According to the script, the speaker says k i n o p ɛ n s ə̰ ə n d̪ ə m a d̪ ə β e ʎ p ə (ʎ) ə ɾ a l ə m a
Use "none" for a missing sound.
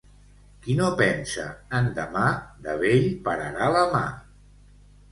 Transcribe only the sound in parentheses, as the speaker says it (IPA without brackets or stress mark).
ɾ